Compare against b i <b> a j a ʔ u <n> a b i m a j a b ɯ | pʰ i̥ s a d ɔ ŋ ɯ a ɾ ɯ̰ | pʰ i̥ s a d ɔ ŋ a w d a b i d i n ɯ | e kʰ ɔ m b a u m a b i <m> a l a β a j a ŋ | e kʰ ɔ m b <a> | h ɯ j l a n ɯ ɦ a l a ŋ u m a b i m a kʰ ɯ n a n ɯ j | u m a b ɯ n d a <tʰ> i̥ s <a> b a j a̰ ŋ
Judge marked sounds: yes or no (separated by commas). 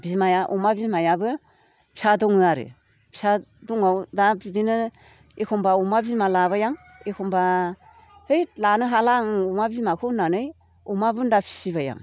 no, no, yes, yes, no, no